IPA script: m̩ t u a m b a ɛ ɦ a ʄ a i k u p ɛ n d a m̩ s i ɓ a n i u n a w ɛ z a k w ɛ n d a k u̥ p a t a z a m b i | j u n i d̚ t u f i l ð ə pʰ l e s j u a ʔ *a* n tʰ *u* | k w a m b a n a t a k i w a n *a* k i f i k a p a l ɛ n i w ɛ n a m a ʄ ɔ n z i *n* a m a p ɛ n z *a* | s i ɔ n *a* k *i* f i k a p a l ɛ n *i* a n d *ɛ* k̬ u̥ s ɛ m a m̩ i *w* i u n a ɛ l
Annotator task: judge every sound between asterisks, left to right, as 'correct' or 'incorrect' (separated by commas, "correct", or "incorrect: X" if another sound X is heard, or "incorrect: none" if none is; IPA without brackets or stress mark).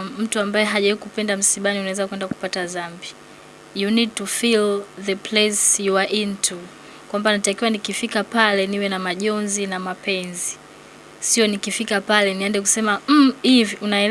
incorrect: i, correct, incorrect: i, correct, incorrect: i, incorrect: i, correct, correct, correct, incorrect: v